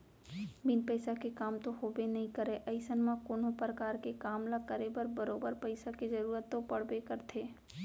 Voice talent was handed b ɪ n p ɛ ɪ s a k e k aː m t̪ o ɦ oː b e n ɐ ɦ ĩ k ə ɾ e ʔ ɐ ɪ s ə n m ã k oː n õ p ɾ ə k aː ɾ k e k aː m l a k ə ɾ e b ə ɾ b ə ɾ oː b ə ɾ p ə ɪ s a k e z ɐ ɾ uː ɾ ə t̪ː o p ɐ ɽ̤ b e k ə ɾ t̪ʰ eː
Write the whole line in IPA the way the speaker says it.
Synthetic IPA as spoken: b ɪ n p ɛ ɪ s a k e k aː m t̪ o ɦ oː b e n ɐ ɦ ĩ k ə ɾ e ʔ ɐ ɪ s ə n m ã k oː n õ p ɾ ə k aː ɾ k e k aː m l a k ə ɾ e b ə ɾ b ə ɾ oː b ə ɾ p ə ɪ s a k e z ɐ ɾ uː ɾ ə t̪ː o p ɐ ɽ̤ b e k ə ɾ t̪ʰ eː